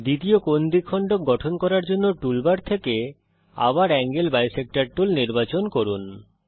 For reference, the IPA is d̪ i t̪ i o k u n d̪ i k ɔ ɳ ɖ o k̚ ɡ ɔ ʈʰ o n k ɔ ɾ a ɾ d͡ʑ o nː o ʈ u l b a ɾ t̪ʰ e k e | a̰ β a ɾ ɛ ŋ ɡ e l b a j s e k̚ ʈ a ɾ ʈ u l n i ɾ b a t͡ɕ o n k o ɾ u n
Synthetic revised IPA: d̪ i t̪ i o k o n d̪ i kʰ ɔ ɳ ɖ o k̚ ɡ ɔ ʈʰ o n k ɔ ɾ a ɾ d͡ʑ o nː o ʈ u l b a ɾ t̪ʰ e k e | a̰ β a ɾ ɛ ŋ ɡ e l b a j s e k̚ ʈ a ɾ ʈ u l n i ɾ b a t͡ɕ o n k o ɾ u n